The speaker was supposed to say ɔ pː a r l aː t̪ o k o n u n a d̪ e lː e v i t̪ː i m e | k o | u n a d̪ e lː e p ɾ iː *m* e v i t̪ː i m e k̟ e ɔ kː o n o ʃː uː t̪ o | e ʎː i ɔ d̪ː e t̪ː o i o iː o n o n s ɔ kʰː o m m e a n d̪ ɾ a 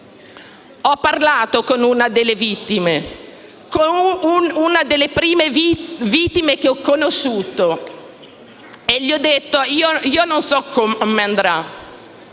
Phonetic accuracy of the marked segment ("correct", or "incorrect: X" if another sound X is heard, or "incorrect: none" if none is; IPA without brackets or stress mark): correct